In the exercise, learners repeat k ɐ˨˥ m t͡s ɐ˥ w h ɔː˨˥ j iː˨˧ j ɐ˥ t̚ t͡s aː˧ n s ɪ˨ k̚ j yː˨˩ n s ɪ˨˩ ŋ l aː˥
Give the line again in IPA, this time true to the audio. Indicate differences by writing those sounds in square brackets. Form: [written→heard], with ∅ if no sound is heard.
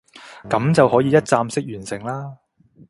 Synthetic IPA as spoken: k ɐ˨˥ m t͡s [ɐ˥→ɐ˨] w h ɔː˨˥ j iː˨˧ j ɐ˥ t̚ t͡s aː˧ [n→m] s [ɪ˨→ɪ˥] k̚ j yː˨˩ n s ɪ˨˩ ŋ l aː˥